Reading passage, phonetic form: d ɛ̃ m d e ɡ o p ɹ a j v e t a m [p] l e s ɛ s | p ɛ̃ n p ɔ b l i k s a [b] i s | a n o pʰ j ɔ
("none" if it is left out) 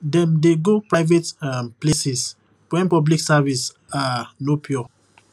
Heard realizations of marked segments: p, v

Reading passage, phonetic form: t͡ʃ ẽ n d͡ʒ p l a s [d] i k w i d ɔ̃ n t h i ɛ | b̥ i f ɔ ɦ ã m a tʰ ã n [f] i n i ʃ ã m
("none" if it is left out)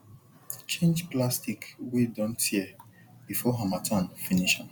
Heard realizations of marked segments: t, f

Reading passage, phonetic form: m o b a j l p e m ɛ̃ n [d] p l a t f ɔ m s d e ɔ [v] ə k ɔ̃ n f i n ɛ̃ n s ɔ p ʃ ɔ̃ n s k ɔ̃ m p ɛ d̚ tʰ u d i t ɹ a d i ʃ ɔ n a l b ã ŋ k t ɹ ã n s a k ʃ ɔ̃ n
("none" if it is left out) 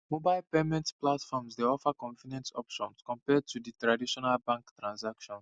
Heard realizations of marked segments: t, f

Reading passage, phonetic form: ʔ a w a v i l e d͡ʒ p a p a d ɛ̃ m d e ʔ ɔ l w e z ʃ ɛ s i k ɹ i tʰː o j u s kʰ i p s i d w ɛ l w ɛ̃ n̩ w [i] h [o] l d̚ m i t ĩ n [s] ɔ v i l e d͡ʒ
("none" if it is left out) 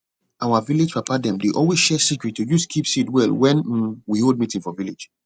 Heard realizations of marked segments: i, o, f

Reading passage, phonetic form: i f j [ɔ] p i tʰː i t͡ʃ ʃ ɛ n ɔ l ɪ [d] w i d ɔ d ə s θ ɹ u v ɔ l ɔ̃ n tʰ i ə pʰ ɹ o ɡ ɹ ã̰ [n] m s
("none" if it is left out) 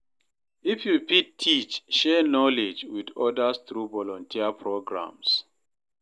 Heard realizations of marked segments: u, d͡ʒ, none

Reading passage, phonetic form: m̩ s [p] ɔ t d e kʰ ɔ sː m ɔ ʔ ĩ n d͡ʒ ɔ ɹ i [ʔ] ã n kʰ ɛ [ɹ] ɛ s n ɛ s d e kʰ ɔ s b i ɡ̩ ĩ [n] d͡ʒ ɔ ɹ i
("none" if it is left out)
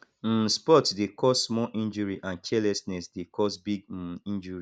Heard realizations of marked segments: p, ʔ, l, n

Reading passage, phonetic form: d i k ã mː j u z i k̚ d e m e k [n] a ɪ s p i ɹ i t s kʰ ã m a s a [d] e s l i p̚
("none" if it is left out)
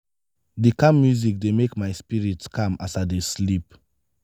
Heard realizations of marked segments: m, d

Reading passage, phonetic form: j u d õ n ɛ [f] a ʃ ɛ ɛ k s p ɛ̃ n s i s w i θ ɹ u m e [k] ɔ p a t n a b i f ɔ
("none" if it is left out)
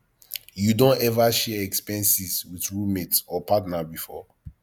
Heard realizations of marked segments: v, t

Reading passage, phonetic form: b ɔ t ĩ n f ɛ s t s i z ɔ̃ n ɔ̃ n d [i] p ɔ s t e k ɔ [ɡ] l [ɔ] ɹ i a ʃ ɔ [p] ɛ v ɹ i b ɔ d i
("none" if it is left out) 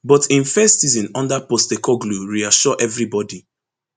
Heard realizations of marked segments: a, ɡ, u, ʔ

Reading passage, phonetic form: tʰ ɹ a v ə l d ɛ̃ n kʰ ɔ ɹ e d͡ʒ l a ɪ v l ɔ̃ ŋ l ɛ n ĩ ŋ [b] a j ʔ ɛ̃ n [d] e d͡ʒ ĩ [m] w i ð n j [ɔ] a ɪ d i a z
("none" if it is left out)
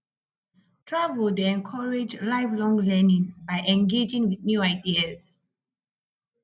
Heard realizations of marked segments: b, ɡ, ŋ, u

